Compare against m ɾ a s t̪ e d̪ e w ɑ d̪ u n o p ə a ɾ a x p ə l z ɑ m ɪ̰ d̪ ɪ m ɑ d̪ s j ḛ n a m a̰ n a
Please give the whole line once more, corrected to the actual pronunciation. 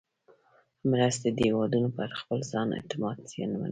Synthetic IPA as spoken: m ɾ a s t̪ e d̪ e w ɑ d̪ u n o p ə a ɾ a x p ə l z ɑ n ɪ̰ t̪ ɪ m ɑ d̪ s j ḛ n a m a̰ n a